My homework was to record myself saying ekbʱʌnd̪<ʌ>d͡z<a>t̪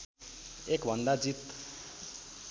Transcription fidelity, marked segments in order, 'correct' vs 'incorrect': incorrect: a, incorrect: i

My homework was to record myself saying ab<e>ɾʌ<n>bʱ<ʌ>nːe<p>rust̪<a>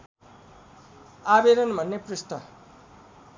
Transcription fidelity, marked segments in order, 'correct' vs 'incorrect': correct, correct, correct, correct, incorrect: ʌ

